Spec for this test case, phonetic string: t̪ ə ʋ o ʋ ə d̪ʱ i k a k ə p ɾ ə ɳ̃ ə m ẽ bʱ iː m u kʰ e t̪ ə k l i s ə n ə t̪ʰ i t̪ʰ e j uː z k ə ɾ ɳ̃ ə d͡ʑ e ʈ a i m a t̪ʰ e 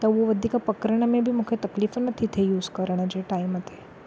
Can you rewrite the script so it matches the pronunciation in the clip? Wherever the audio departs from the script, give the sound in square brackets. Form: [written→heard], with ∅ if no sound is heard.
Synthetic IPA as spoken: t̪ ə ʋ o ʋ ə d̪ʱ i k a [k→p] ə [p→k] ɾ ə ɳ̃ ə m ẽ bʱ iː m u kʰ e t̪ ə k l i [s→f] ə n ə t̪ʰ i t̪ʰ e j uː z k ə ɾ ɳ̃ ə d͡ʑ e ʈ a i m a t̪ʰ e